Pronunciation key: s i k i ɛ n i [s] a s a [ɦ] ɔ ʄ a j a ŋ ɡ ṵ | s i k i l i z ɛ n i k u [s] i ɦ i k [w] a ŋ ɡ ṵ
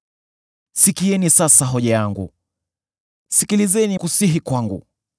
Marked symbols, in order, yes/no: yes, yes, yes, yes

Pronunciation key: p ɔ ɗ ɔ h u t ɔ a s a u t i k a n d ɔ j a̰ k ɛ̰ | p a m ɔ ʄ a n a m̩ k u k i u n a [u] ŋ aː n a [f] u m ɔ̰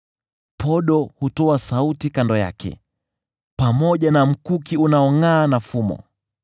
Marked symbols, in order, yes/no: no, yes

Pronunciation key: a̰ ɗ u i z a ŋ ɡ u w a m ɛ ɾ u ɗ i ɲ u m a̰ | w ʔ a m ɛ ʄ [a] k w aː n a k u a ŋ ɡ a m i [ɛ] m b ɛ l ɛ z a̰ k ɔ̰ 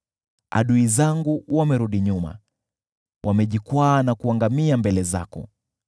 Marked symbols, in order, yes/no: no, no

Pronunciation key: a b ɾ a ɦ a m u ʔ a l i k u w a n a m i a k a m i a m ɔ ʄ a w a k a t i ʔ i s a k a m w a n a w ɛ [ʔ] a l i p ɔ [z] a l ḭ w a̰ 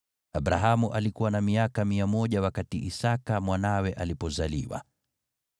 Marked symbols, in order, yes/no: yes, yes

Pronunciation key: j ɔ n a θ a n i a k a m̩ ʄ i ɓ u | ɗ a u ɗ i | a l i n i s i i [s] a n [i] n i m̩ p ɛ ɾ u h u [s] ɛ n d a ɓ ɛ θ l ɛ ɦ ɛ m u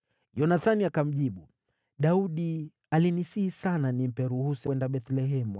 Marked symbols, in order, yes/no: yes, no, yes

